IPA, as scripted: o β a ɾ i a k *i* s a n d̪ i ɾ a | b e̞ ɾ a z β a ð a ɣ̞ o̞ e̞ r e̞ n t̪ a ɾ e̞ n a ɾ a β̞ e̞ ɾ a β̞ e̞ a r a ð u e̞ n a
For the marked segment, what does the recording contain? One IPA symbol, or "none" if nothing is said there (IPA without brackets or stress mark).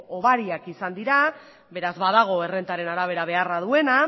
i